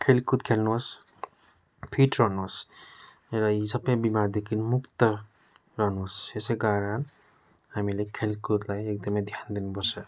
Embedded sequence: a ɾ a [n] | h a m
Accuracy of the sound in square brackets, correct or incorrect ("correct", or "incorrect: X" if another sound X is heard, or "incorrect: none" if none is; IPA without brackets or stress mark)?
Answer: correct